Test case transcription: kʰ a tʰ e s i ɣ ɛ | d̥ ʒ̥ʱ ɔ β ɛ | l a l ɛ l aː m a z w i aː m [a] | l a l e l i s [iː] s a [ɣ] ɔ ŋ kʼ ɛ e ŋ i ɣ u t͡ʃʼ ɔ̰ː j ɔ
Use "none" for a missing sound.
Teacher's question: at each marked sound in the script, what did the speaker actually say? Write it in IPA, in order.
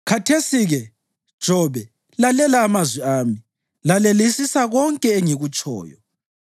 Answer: i, i, ɣ

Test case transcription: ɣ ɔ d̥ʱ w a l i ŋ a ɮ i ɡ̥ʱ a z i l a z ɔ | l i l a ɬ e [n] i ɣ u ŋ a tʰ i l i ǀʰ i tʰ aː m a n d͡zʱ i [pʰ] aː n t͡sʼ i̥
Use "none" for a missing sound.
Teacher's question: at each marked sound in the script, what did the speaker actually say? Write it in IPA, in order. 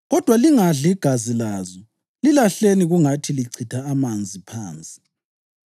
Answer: n, pʰ

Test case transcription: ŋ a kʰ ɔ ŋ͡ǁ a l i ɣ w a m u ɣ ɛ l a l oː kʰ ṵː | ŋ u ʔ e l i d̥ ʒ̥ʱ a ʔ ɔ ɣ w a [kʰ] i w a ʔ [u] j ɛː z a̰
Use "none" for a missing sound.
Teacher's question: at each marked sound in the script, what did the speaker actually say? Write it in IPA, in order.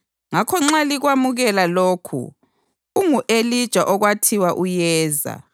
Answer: tʰ, u

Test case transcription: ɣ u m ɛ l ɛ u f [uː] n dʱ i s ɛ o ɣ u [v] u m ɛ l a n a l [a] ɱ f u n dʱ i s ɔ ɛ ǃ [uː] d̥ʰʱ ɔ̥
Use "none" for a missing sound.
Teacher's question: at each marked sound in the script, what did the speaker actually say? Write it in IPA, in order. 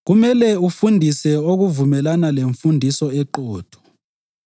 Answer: u, v, e, ɔː

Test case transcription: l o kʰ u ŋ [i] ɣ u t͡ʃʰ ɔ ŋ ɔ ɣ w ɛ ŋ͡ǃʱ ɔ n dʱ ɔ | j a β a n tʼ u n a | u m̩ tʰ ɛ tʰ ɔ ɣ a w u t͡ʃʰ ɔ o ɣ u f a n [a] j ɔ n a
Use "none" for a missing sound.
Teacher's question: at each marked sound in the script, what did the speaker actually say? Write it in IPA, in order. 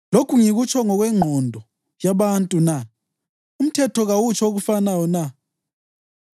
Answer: i, a

